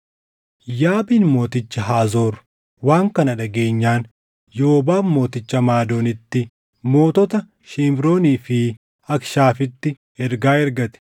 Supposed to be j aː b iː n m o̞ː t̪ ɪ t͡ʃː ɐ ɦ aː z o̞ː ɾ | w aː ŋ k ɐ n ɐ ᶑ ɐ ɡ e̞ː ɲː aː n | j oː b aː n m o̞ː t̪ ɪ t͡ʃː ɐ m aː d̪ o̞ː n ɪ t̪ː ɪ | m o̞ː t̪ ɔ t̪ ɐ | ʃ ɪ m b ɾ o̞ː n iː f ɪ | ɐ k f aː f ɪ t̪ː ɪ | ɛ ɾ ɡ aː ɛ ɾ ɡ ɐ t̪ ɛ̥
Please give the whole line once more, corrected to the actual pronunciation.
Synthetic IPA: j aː b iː n m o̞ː t̪ ɪ t͡ʃː ɐ ɦ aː z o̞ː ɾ | w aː ŋ k ɐ n ɐ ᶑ ɐ ɡ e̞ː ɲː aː n | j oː b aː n m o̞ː t̪ ɪ t͡ʃː ɐ m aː d̪ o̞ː n ɪ t̪ː ɪ | m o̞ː t̪ ɔ t̪ ɐ | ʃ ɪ m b ɾ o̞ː n iː f ɪ | ɐ k ʃ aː f ɪ t̪ː ɪ | ɛ ɾ ɡ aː ɛ ɾ ɡ ɐ t̪ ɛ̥